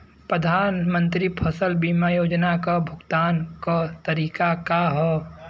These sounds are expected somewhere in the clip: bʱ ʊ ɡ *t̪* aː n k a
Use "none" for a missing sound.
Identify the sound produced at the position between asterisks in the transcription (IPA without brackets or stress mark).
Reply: t̪